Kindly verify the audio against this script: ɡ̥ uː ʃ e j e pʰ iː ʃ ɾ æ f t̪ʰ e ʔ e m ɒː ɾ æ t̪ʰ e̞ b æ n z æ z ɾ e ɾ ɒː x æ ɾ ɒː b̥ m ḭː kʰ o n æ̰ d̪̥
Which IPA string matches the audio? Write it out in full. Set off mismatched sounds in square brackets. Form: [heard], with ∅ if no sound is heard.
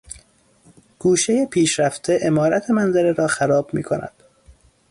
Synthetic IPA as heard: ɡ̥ uː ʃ e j e pʰ iː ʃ ɾ æ f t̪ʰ e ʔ e m ɒː ɾ æ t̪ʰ e̞ [m] æ n z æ [∅] ɾ e ɾ ɒː x æ ɾ ɒː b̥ m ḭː kʰ o n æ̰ d̪̥